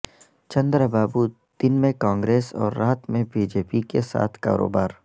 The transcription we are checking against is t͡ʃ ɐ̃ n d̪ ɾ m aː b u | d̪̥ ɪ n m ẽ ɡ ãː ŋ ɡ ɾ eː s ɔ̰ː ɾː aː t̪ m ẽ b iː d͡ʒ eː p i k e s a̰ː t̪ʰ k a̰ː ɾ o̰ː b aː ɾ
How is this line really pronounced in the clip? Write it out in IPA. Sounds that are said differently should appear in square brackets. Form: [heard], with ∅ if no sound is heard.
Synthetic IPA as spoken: t͡ʃ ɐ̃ n d̪ ɾ [b] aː b u | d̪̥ ɪ n m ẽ [k] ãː ŋ ɡ ɾ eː s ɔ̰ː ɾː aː t̪ m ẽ b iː d͡ʒ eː p i k e s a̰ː t̪ʰ k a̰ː ɾ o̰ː b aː ɾ